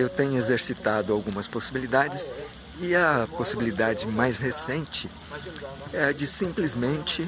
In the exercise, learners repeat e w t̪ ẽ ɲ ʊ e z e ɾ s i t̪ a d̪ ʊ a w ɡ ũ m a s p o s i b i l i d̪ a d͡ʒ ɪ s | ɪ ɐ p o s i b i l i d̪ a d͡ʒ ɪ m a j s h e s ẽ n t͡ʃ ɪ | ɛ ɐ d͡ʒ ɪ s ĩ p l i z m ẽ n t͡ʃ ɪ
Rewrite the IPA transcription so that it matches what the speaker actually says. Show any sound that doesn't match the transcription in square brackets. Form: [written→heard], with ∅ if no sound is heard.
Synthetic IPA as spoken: e w t̪ ẽ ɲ ʊ e z e ɾ s i t̪ a d̪ ʊ a w ɡ ũ m [a→ɐ] s p o s i b i l i d̪ a d͡ʒ ɪ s | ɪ ɐ p o s i b i l i d̪ a d͡ʒ ɪ m a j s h e s ẽ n t͡ʃ ɪ | ɛ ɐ d͡ʒ ɪ s ĩ p l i z m ẽ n t͡ʃ ɪ